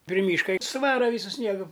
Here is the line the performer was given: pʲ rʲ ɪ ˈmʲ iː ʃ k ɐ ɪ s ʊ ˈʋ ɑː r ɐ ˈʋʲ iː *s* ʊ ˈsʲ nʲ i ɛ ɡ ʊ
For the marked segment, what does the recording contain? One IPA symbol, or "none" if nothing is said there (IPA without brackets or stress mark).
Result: s